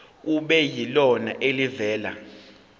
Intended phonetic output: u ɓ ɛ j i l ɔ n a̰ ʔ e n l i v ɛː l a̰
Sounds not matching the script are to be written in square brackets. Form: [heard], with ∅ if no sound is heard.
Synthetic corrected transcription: u ɓ ɛ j i l ɔ n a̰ ʔ e [∅] l i v ɛː l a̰